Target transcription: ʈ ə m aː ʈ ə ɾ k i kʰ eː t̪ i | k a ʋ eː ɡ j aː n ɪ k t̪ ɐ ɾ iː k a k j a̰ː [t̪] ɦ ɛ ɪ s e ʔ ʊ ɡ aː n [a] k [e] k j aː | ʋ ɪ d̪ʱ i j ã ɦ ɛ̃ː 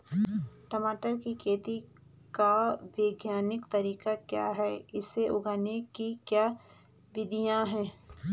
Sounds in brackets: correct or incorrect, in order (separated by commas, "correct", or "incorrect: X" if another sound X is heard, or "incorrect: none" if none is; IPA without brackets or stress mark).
incorrect: none, incorrect: e, incorrect: i